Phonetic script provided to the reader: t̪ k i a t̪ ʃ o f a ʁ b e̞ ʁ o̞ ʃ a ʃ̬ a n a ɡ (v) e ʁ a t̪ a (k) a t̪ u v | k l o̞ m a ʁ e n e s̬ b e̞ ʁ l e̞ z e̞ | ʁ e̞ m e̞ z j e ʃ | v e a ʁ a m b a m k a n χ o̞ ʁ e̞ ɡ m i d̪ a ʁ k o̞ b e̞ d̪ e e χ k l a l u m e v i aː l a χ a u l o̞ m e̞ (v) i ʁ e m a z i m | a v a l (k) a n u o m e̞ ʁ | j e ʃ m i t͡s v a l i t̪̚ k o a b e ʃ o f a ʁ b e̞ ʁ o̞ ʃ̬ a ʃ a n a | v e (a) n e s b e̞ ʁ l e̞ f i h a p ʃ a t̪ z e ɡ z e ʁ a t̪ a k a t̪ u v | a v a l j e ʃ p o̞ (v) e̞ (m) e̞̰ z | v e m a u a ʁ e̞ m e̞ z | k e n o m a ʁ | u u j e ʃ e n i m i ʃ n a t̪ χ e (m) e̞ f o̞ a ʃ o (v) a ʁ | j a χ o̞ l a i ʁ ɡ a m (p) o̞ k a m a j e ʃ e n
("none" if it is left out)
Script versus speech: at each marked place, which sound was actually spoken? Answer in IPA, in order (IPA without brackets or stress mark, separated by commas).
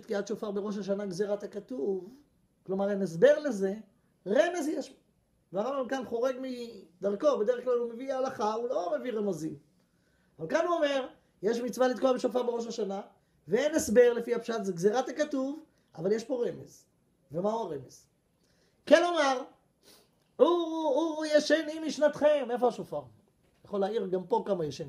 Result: z, k, v, k, e, ʁ, m, m, f, p